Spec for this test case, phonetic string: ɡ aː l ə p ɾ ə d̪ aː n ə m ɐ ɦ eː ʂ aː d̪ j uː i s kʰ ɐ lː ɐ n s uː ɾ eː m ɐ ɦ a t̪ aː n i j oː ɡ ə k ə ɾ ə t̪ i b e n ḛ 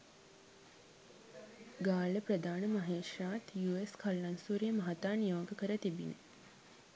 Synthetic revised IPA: ɡ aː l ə p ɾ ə d̪ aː n ə m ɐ ɦ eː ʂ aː t̪ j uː e s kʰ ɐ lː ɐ n s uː ɾ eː m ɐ ɦ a t̪ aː n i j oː ɡ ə k ə ɾ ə t̪ i b i n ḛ

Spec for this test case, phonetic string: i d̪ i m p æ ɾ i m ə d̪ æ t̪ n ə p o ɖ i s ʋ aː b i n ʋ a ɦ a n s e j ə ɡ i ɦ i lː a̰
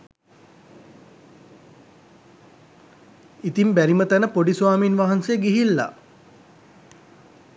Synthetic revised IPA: i t̪ i m b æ ɾ i m ə t̪ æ n ə p o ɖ i s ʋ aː m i n ʋ a ɦ a n s e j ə ɡ i ɦ i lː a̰

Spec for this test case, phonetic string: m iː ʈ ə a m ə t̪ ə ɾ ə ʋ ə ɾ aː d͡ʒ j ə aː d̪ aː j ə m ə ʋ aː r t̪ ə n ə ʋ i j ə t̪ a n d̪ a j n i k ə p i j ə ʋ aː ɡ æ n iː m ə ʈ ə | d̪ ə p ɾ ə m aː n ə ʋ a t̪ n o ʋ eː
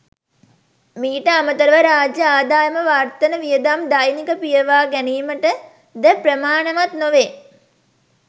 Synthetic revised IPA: m iː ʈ ə a m ə t̪ ə ɾ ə ʋ ə ɾ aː d͡ʒ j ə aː d̪ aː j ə m ə ʋ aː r t̪ ə n ə ʋ i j ə d̪ a m d̪ a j n i k ə p i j ə ʋ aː ɡ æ n iː m ə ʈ ə | d̪ ə p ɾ ə m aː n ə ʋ a t̪ n o ʋ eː

